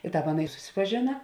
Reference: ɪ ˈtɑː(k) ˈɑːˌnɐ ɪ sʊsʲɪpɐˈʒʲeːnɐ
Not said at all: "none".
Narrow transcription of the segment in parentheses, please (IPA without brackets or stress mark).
p